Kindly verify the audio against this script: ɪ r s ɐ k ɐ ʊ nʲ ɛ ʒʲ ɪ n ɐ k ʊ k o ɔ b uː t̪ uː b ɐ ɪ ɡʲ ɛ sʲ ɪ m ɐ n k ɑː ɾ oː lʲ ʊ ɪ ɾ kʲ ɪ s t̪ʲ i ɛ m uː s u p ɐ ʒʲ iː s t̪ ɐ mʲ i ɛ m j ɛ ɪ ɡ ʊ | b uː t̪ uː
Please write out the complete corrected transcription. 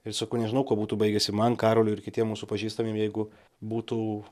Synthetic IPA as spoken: ɪ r s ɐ k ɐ ʊ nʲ ɛ ʒʲ ɪ n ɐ ʊ k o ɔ b uː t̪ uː b ɐ ɪ ɡʲ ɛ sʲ ɪ m ɐ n k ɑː ɾ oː lʲ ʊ ɪ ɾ kʲ ɪ t̪ʲ i ɛ m uː s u p ɐ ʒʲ iː s t̪ ɐ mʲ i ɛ m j ɛ ɪ ɡ ʊ | b uː t̪ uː